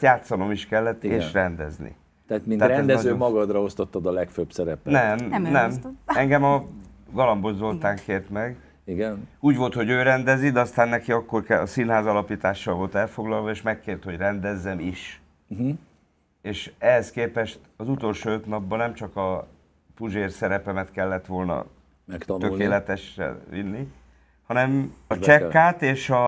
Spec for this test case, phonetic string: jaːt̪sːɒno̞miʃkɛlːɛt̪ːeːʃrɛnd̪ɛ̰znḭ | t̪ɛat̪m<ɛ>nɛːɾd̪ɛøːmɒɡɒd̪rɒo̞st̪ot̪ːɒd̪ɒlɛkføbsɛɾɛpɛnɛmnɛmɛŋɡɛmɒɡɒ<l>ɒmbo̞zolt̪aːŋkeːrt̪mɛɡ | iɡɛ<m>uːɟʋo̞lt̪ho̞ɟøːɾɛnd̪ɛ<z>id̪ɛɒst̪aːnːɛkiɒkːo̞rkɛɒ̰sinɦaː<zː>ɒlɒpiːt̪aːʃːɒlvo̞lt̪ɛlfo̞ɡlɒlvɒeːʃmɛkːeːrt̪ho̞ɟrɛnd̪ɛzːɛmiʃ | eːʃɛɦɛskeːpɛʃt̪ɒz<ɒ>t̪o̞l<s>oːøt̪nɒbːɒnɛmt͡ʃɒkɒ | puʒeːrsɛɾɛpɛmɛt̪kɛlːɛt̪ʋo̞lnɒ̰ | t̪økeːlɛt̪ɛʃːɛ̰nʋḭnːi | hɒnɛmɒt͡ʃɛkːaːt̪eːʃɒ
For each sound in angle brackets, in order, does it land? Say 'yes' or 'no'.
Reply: no, yes, no, yes, no, no, no

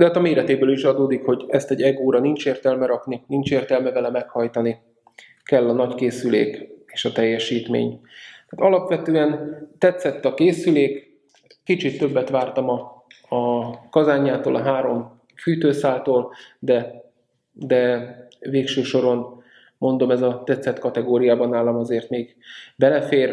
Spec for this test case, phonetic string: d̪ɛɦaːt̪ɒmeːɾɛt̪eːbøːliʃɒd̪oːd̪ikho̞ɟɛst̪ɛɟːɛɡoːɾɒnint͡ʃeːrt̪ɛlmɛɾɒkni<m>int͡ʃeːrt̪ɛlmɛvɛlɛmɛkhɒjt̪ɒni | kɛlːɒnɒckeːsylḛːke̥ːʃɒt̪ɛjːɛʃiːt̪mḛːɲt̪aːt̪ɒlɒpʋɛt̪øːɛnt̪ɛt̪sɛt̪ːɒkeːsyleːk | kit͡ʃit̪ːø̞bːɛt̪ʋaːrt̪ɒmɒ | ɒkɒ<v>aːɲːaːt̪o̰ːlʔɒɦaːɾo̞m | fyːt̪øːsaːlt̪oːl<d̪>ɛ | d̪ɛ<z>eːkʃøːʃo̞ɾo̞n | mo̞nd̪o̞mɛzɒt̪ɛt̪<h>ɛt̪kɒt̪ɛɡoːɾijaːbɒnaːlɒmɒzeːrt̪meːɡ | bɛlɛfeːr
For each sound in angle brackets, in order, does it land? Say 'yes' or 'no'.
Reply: no, no, yes, no, no

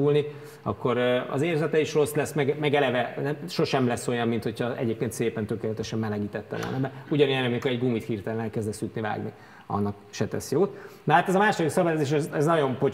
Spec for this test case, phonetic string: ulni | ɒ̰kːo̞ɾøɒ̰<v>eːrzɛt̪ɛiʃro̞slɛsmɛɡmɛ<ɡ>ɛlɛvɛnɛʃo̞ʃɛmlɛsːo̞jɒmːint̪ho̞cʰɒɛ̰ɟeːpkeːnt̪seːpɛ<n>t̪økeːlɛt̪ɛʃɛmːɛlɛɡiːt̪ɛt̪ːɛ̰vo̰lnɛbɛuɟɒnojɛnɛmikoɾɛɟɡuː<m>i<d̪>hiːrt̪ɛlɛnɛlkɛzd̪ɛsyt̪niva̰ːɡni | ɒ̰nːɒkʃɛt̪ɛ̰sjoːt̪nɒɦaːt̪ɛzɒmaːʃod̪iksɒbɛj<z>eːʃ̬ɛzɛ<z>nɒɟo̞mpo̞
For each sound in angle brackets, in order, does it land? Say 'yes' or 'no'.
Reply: no, yes, yes, yes, no, yes, yes

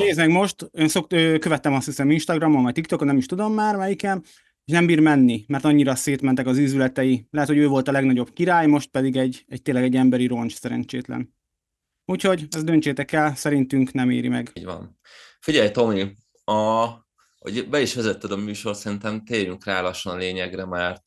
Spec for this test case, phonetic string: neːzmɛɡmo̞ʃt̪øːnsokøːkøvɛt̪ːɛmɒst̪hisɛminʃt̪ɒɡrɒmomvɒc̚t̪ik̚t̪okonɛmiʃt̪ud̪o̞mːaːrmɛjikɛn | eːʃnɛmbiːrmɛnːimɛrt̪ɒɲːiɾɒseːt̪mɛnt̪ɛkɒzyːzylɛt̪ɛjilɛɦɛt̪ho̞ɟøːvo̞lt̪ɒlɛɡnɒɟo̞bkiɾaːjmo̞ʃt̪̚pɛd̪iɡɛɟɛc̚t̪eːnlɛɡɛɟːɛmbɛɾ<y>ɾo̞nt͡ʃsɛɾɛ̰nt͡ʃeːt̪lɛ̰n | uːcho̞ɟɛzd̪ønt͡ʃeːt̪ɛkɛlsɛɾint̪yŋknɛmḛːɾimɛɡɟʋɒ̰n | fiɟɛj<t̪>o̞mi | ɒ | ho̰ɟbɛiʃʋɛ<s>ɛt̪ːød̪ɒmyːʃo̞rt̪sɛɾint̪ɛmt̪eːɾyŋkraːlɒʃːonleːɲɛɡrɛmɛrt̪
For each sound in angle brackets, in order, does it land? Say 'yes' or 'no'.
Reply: no, yes, no

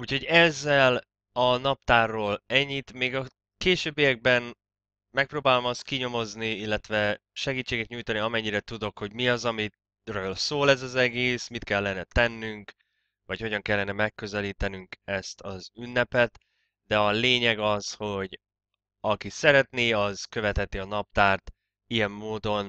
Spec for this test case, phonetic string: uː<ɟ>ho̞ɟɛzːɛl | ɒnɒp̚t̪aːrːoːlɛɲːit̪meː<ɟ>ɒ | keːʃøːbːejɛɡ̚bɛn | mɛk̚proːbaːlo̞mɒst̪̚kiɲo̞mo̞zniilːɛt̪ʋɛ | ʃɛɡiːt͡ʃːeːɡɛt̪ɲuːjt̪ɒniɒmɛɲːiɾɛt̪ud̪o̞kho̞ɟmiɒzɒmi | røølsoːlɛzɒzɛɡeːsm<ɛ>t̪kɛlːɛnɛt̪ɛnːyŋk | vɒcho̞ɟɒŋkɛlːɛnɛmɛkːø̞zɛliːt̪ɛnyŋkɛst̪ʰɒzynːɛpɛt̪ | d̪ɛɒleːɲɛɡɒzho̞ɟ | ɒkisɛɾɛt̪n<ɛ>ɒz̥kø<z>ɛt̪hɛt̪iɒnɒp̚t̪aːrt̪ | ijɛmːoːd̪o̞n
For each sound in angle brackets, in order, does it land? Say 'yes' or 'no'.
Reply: no, no, no, no, no

